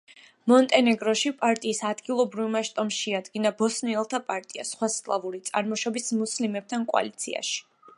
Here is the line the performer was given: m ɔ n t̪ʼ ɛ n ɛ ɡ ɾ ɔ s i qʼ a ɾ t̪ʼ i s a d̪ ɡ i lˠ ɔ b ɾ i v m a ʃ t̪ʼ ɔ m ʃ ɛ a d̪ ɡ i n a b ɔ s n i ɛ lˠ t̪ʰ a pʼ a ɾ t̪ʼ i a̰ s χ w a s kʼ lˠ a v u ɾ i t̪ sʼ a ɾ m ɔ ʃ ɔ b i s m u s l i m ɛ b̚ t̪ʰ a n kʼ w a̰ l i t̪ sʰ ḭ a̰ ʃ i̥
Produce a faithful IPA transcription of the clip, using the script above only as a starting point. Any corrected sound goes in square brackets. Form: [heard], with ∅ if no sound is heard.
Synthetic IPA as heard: m ɔ n t̪ʼ ɛ n ɛ ɡ ɾ ɔ [ʃ] i [pʼ] a ɾ t̪ʼ [iː] s a d̪ ɡ i lˠ ɔ b ɾ i v m a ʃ t̪ʼ ɔ m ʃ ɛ a d̪ ɡ i n a b ɔ s n i ɛ lˠ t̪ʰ a pʼ a ɾ t̪ʼ i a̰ s χ w a s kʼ lˠ a v u ɾ i t̪ sʼ a ɾ m ɔ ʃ ɔ b i s m u s l i m ɛ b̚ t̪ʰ a n kʼ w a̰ l i t̪ sʰ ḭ a̰ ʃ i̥